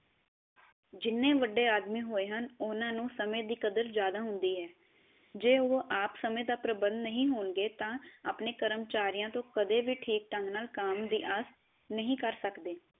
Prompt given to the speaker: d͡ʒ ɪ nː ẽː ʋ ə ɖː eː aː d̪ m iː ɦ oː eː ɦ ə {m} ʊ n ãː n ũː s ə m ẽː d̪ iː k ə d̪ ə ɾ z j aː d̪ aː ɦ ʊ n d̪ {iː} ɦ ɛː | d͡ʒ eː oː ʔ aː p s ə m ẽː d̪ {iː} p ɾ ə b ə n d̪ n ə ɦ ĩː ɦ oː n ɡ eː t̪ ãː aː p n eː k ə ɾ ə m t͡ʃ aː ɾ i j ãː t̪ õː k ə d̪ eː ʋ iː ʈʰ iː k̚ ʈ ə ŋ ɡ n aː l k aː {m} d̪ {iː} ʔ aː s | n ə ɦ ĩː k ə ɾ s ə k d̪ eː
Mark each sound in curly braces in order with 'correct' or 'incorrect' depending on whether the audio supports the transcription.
incorrect, correct, incorrect, correct, correct

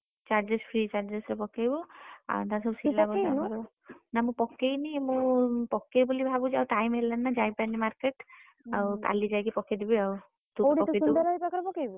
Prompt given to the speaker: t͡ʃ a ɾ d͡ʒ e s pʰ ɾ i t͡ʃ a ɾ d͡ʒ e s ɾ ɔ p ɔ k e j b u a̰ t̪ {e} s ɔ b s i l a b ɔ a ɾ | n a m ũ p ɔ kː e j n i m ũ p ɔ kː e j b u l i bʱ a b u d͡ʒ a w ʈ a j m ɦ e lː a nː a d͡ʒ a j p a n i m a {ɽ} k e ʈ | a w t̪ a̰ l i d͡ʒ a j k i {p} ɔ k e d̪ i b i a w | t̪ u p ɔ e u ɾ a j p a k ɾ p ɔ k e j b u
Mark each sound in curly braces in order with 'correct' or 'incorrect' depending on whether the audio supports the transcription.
incorrect, incorrect, correct

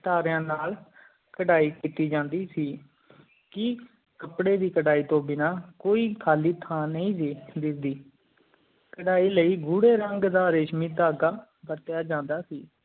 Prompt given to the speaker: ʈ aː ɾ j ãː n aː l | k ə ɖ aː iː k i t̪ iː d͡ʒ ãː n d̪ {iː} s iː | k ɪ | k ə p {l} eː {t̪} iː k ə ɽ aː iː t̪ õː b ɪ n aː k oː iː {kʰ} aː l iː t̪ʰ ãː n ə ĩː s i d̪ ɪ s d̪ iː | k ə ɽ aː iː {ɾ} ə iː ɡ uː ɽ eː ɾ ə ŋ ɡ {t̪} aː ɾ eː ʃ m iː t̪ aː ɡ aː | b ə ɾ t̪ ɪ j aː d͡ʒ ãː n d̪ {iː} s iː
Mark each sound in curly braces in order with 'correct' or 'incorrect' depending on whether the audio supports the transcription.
correct, incorrect, incorrect, correct, incorrect, incorrect, incorrect

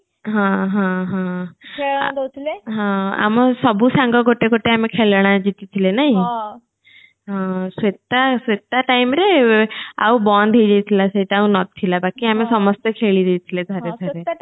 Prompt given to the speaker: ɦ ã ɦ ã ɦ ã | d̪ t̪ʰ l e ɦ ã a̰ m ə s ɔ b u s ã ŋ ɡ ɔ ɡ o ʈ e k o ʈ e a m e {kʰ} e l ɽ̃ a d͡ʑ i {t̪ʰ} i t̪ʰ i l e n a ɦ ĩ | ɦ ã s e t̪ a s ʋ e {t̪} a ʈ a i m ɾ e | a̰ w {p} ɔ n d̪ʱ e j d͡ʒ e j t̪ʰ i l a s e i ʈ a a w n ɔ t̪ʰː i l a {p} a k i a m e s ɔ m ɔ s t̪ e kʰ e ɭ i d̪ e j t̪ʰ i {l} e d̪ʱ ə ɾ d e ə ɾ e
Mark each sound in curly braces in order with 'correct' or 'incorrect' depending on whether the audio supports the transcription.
correct, incorrect, correct, incorrect, incorrect, correct

